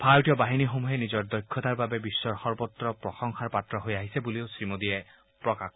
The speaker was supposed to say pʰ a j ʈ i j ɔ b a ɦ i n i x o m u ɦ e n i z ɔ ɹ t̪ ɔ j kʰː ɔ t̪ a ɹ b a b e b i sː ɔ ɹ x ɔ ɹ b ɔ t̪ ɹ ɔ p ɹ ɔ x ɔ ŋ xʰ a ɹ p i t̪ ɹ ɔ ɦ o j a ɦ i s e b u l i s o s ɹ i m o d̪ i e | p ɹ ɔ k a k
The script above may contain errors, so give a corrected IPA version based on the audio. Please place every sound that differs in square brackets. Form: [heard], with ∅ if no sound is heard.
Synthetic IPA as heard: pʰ a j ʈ i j ɔ b a ɦ i n i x o m u ɦ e n i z ɔ ɹ [d̪] ɔ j kʰː ɔ t̪ a ɹ b a b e b i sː ɔ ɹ x ɔ ɹ b ɔ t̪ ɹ ɔ p ɹ ɔ x ɔ ŋ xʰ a ɹ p [a] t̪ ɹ ɔ ɦ o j a ɦ i s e b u l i [∅] o s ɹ i m o d̪ i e | p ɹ ɔ k a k